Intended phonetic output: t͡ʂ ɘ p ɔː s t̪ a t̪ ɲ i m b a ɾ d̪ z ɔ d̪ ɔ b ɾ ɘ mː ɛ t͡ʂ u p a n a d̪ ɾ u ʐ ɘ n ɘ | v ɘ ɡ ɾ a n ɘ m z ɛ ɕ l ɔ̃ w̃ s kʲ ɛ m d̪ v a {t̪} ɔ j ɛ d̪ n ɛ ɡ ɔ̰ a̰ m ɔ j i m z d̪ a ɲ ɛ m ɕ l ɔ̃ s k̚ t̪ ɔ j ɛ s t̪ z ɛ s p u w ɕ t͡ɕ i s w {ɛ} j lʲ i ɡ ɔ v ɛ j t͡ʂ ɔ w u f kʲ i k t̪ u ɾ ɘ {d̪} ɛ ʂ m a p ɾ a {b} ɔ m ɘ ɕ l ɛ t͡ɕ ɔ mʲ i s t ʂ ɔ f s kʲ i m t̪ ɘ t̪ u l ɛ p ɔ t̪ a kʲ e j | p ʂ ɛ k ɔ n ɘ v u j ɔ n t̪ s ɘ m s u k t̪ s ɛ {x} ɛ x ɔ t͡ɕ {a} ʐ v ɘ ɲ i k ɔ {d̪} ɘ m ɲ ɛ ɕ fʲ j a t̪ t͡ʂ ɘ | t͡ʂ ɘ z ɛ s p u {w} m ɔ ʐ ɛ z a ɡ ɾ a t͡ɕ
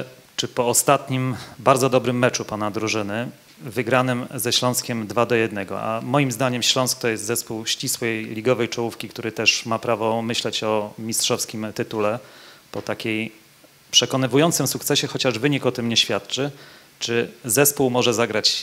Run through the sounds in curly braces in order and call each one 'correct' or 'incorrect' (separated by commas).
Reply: incorrect, correct, incorrect, incorrect, incorrect, correct, incorrect, correct